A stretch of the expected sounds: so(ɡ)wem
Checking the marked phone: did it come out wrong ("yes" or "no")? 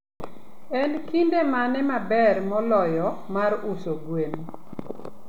no